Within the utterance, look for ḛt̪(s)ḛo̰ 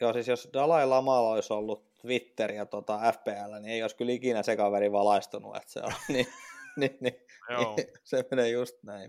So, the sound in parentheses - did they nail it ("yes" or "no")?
yes